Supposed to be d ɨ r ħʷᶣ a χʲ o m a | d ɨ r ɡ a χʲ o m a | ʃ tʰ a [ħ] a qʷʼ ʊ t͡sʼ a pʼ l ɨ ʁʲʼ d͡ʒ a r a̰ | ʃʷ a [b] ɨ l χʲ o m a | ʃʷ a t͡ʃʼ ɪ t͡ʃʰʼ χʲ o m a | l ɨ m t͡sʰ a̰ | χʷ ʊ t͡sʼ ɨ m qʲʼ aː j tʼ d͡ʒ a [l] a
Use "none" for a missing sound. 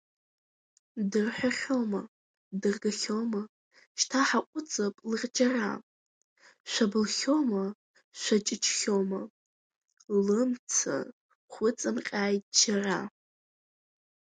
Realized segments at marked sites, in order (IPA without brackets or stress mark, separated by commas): ħ, b, r